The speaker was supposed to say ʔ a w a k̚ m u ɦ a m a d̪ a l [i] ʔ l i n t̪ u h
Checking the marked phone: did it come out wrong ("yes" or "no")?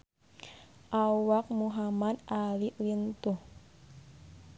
no